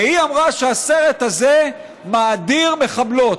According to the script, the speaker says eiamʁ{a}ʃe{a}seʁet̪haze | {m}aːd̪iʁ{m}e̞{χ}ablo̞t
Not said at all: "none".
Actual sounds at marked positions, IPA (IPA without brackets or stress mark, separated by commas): a, a, m, m, χ